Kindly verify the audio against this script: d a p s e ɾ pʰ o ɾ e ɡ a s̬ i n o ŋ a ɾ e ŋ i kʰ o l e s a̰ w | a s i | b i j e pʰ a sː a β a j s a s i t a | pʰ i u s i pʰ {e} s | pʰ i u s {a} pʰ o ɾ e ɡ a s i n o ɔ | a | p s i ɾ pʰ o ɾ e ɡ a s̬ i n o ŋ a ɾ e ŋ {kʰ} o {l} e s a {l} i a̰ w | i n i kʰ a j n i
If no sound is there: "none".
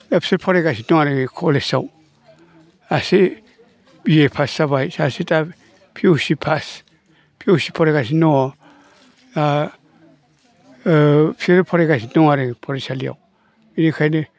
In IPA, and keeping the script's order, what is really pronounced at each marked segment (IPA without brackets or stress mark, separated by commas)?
a, i, pʰ, ɾ, l